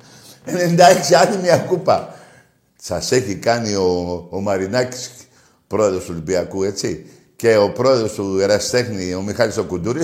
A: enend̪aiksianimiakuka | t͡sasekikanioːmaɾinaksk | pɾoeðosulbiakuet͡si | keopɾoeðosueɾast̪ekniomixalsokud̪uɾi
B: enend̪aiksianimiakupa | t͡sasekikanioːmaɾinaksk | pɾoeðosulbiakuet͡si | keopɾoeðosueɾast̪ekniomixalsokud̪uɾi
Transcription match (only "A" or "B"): B